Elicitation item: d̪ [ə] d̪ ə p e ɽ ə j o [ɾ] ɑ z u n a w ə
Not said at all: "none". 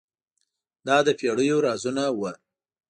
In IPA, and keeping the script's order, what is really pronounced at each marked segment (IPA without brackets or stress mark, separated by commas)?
ɑ, ɾ